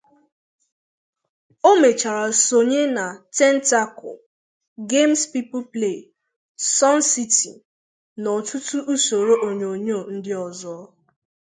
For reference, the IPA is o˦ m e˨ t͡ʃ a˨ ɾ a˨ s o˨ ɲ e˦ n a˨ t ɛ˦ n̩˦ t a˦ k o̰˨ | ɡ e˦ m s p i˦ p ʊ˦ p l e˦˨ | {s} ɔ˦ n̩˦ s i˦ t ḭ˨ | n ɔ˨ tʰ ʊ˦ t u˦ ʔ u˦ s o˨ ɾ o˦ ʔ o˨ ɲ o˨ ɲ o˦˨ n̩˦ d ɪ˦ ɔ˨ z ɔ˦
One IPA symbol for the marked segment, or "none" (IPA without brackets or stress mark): s